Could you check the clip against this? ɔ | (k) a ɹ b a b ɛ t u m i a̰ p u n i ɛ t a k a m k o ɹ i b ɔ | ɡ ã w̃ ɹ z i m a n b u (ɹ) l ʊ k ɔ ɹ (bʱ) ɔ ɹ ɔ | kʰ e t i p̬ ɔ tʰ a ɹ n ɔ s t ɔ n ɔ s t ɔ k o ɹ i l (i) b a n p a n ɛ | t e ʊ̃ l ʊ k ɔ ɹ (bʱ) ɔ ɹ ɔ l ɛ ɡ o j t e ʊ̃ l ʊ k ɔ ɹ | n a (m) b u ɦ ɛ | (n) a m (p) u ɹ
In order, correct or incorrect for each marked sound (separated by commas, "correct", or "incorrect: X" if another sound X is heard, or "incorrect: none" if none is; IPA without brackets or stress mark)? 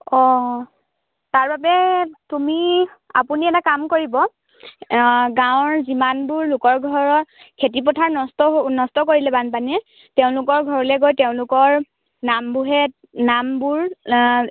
incorrect: t, correct, incorrect: ɡʱ, incorrect: ɛ, incorrect: ɡʱ, correct, correct, incorrect: b